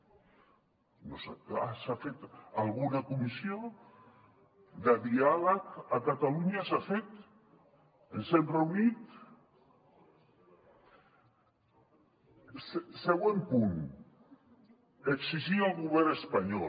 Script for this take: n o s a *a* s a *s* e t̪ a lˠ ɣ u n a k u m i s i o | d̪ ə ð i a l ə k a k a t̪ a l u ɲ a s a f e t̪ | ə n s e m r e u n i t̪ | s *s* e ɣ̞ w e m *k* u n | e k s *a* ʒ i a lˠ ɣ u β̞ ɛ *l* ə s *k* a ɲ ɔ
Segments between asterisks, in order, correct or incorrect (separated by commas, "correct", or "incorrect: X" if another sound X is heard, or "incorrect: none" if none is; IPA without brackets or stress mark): correct, incorrect: f, correct, incorrect: p, incorrect: i, incorrect: ɾ, incorrect: p